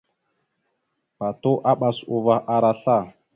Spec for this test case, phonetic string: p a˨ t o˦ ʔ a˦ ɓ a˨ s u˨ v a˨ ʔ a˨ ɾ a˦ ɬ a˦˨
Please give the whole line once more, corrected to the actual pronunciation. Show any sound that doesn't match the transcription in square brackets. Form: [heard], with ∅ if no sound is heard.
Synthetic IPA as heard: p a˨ t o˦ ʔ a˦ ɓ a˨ s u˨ v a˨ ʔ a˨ ɾ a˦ ɬ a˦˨